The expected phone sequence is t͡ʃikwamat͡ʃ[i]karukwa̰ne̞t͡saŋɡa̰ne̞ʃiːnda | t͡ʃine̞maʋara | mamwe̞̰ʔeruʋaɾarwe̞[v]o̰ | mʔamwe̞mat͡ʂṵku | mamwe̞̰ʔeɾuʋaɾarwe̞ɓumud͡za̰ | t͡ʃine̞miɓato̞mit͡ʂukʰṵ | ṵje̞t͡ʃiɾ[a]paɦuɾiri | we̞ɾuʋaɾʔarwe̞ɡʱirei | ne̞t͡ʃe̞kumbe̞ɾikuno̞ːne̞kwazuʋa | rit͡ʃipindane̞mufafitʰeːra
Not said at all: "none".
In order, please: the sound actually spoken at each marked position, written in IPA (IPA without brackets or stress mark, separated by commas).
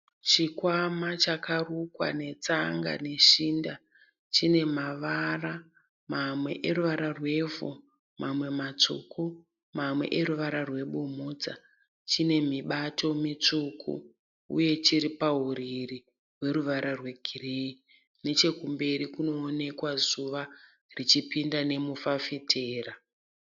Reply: a, v, i